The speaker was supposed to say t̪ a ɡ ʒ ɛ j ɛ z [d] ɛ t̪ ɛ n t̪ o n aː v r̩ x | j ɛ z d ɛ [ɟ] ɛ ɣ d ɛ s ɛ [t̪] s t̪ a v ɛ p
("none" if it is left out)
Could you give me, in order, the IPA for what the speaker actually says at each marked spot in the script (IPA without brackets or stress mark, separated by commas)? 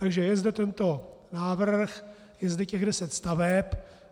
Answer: d, c, t̪